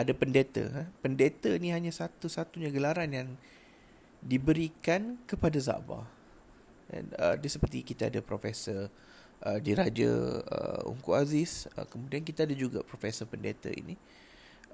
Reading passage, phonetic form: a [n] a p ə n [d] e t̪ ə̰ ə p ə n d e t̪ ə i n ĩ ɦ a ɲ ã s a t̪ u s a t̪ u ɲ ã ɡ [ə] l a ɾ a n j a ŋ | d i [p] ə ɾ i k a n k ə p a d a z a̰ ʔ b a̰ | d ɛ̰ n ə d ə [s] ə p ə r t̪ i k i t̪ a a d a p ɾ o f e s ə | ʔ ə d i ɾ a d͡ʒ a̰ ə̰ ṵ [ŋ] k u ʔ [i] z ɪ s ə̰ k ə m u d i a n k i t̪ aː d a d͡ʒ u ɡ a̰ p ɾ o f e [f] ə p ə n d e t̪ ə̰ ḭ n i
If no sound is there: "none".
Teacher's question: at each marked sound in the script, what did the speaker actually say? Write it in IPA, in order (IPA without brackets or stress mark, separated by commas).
d, d, ə, b, s, ŋ, a, s